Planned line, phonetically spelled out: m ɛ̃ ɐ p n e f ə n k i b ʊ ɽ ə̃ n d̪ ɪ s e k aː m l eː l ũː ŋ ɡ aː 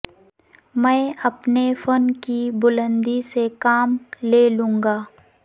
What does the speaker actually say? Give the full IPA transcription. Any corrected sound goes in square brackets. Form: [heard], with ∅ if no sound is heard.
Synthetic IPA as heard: m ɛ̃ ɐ p n e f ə n k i b ʊ [l] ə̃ n d̪ [i] s e k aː m l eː l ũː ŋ ɡ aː